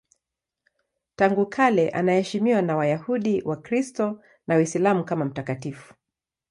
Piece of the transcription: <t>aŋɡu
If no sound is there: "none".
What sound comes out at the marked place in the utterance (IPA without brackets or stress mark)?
t